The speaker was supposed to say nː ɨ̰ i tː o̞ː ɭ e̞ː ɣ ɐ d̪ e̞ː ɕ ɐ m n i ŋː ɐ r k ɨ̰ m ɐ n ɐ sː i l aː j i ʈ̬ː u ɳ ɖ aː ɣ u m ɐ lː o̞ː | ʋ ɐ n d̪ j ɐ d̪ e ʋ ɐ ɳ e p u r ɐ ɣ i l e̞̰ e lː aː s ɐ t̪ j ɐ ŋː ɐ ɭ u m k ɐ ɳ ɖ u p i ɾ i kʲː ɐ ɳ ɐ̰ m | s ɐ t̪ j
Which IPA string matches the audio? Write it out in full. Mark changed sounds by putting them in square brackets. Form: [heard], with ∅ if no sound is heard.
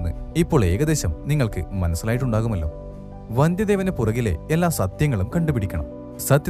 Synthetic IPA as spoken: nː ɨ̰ i [pː] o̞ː ɭ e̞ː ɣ ɐ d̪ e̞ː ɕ ɐ m n i ŋː ɐ [ɭ] k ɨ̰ m ɐ n ɐ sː i l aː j i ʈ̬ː u ɳ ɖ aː ɣ u m ɐ lː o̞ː | ʋ ɐ n d̪ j ɐ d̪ e ʋ ɐ [n] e p u r ɐ ɣ i l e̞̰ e lː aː s ɐ t̪ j ɐ ŋː ɐ ɭ u m k ɐ ɳ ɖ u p i [ɽ] i kʲː ɐ ɳ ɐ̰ m | s ɐ t̪ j